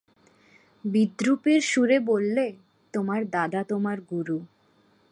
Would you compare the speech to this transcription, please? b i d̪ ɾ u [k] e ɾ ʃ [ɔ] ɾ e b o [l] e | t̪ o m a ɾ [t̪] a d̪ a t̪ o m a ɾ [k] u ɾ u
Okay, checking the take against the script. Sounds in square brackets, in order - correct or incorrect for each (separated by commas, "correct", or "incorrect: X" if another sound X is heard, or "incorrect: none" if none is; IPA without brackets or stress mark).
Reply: incorrect: p, incorrect: u, incorrect: lː, incorrect: d̪, incorrect: ɡ